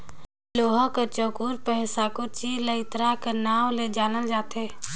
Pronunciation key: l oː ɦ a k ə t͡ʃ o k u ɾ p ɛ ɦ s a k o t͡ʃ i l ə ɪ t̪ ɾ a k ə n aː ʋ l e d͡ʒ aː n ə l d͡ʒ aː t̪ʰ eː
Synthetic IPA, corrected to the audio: l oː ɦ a k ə t͡ʃ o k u ɾ p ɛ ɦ s a k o t͡ʃ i l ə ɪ t̪ ɾ a k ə n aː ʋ l e d͡ʒ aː n ə l d͡ʒ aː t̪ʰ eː